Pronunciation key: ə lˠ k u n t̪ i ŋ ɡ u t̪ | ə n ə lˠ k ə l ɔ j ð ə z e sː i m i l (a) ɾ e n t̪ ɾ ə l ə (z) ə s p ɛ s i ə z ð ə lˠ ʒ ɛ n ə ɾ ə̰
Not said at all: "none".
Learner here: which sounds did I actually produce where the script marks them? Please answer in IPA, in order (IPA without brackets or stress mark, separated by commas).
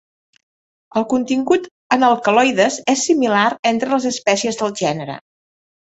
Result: a, z